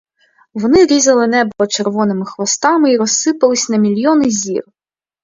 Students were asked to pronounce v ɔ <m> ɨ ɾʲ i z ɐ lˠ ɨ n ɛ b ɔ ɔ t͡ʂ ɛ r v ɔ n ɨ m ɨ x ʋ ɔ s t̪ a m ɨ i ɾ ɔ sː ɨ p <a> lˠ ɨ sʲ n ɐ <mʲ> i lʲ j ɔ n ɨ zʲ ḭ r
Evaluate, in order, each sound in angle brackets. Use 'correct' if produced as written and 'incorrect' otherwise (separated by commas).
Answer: incorrect, incorrect, correct